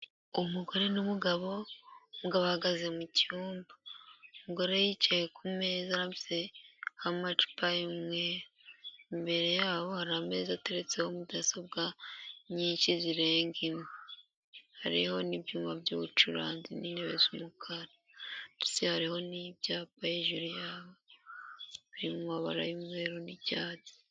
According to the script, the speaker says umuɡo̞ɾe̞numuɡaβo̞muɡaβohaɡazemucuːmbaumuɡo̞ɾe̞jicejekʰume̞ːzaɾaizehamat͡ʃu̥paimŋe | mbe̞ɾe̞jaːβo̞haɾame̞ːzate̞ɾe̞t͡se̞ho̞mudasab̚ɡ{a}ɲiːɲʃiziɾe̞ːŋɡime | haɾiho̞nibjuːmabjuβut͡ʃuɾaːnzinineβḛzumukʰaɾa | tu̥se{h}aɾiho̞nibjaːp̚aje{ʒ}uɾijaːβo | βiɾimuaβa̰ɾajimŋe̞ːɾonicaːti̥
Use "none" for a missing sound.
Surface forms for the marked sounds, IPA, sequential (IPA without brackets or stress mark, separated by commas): a, h, ʒ